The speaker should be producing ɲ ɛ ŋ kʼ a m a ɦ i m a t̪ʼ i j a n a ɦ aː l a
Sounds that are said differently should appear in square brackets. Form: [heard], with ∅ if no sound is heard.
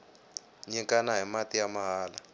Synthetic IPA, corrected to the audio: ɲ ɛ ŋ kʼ a [n] a ɦ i m a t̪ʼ i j a [m] a ɦ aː l a